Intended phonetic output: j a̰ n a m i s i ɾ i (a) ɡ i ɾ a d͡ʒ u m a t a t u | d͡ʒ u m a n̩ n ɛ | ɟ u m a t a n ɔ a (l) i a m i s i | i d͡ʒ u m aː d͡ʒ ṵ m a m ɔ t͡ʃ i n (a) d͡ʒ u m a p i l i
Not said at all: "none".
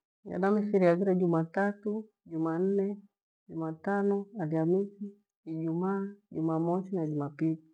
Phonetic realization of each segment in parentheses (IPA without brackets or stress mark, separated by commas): a, l, a